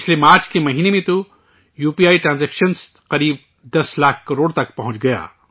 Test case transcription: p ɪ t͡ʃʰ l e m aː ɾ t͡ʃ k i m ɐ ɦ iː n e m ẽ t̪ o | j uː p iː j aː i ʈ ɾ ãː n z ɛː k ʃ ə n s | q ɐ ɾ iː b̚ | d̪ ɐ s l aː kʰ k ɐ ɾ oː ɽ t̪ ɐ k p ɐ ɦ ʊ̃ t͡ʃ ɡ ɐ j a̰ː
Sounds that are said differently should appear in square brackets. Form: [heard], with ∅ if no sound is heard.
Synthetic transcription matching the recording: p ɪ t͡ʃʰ l e m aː ɾ t͡ʃ k [e] m ɐ ɦ iː n e m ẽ t̪ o | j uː p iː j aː i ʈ ɾ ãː n z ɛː k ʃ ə n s | q ɐ ɾ iː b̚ | d̪ ɐ s l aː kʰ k ɐ ɾ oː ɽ t̪ ɐ k p ɐ ɦ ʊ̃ t͡ʃ ɡ ɐ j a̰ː